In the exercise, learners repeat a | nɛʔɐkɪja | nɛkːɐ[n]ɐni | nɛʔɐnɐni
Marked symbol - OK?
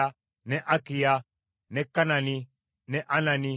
yes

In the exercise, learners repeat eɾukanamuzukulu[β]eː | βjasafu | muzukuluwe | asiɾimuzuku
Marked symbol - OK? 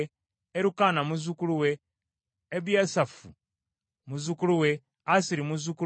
no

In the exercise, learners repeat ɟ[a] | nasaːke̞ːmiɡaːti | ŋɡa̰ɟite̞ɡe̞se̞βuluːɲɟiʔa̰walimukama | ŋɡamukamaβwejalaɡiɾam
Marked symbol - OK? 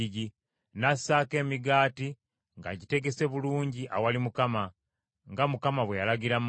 no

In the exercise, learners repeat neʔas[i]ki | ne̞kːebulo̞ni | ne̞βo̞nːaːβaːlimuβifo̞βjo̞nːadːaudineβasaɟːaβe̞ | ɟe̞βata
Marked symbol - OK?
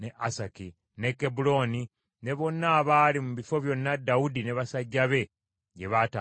no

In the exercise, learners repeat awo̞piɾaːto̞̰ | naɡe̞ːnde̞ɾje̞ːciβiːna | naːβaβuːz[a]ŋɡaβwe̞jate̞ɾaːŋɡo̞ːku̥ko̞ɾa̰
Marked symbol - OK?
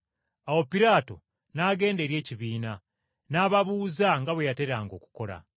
yes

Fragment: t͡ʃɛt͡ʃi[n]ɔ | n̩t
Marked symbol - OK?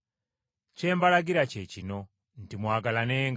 yes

